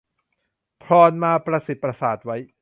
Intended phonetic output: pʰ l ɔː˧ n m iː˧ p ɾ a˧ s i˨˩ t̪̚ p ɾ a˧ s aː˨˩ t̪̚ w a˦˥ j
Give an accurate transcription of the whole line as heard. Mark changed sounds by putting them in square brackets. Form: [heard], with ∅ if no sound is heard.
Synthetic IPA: pʰ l ɔː˧ n m [aː˧] p ɾ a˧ s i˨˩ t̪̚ p ɾ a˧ s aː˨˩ t̪̚ w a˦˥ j